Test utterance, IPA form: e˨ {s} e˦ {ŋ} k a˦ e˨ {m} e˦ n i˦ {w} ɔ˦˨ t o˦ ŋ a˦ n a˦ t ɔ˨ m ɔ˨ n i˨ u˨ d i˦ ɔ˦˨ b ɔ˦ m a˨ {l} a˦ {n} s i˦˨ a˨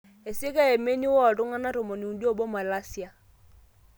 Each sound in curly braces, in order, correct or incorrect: correct, incorrect: none, correct, correct, correct, incorrect: none

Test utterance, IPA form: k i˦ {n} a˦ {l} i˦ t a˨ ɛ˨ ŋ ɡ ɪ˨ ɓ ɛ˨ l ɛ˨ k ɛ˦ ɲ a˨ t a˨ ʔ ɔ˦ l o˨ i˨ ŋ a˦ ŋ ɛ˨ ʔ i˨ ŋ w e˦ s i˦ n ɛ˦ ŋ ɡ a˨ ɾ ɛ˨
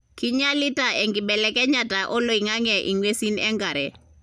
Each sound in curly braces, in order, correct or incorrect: incorrect: ɲ, correct

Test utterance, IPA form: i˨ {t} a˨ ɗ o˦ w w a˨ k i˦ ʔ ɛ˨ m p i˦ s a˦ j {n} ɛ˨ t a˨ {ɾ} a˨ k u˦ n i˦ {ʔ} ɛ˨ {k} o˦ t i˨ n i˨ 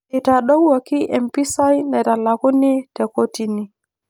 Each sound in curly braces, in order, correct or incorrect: correct, correct, incorrect: l, incorrect: t, correct

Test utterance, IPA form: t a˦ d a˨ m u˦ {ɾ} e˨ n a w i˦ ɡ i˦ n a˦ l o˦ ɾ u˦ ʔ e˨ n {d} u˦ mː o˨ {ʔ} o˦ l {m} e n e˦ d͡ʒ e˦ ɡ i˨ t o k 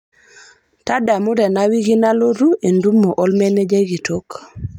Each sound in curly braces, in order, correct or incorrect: correct, correct, correct, correct

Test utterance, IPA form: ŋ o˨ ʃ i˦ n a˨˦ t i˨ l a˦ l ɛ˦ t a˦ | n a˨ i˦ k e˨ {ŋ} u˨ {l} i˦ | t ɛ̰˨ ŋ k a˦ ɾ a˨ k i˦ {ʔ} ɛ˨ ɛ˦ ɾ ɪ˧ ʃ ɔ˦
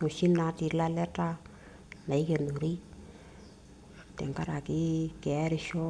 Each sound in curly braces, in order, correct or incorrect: incorrect: n, incorrect: ɾ, incorrect: k

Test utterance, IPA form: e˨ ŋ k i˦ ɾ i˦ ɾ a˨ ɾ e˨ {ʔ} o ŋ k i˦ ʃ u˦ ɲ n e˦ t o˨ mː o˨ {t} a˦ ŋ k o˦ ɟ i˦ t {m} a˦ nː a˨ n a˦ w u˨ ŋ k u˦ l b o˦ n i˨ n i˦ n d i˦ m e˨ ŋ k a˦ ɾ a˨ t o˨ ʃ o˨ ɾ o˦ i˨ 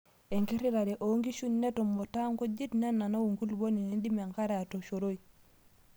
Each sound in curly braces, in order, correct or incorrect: correct, correct, incorrect: n

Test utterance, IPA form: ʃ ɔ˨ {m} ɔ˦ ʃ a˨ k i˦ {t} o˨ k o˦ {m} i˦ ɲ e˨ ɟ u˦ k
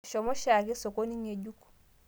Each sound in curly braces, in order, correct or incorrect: correct, incorrect: s, incorrect: n

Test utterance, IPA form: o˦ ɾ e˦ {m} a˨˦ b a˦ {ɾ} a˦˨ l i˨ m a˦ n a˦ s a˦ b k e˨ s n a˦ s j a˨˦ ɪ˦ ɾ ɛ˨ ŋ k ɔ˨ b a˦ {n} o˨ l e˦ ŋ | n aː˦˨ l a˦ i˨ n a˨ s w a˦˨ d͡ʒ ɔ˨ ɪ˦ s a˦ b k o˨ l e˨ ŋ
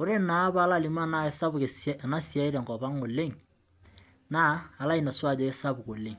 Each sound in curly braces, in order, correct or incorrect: incorrect: n, incorrect: l, incorrect: ŋ

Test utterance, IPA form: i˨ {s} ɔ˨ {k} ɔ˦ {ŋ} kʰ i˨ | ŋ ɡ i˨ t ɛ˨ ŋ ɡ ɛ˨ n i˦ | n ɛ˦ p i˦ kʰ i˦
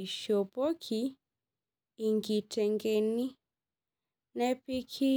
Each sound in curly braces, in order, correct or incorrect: incorrect: ʃ, incorrect: p, incorrect: none

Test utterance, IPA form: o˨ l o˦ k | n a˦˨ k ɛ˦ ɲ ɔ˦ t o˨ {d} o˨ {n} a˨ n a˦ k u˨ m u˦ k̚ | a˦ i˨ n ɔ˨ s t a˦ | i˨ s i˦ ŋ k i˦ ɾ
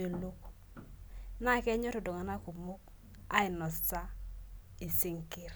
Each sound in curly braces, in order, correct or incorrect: correct, incorrect: ŋ

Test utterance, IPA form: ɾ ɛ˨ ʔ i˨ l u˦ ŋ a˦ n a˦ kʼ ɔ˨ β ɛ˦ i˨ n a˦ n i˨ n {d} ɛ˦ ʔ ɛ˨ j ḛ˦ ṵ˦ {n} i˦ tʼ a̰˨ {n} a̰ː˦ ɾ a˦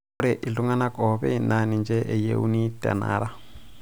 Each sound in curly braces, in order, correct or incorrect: incorrect: d͡ʒ, correct, correct

